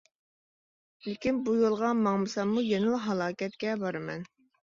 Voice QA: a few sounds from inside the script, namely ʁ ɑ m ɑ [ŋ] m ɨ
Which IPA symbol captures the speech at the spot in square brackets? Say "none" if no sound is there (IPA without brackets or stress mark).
ŋ